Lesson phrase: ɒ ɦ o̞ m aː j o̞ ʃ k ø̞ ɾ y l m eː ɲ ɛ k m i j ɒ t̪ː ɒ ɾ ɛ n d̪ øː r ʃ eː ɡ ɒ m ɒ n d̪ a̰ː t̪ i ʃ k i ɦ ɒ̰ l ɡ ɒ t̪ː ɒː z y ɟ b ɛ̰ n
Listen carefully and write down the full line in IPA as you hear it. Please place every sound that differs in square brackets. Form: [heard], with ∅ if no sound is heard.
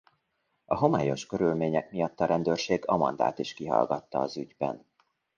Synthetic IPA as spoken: ɒ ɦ o̞ m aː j o̞ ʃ k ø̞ ɾ y l m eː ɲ ɛ k m i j ɒ t̪ː ɒ ɾ ɛ n d̪ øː r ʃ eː ɡ ɒ m ɒ n d̪ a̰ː t̪ i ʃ k i ɦ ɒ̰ l ɡ ɒ t̪ː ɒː z y ɟ b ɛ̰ n